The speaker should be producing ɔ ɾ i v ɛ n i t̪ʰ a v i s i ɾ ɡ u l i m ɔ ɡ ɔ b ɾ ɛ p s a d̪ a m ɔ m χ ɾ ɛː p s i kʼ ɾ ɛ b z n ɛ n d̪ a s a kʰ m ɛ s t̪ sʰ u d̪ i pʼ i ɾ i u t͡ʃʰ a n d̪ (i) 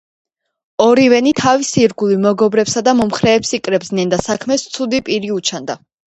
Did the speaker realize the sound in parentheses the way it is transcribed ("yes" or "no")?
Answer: no